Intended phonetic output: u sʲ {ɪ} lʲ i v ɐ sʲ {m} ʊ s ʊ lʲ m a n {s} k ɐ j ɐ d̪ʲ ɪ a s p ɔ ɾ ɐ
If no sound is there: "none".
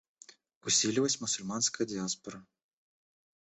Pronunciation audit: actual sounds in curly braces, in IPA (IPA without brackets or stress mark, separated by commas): i, m, s